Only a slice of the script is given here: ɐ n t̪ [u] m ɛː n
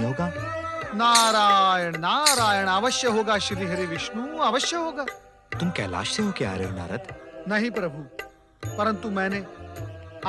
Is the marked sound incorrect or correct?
correct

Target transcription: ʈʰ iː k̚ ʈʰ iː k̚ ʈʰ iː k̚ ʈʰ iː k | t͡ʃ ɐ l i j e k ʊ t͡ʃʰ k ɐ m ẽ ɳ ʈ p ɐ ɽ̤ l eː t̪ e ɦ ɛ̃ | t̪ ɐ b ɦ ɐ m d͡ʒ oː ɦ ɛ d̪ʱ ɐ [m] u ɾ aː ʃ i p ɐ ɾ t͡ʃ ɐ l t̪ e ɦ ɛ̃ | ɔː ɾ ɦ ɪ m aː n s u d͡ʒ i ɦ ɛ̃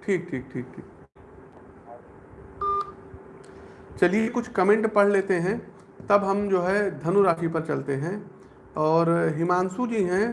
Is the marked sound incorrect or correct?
incorrect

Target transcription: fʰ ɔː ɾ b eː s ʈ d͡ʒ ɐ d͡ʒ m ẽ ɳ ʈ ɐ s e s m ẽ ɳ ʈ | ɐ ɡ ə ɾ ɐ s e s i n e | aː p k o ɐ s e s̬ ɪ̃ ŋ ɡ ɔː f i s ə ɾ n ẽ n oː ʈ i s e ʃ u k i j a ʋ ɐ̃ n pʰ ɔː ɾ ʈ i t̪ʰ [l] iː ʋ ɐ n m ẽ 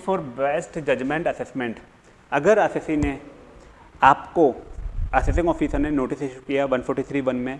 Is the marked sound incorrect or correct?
incorrect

